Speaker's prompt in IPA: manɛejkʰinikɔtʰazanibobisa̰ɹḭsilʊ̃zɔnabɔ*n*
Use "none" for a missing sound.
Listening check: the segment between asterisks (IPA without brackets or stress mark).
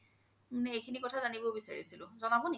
n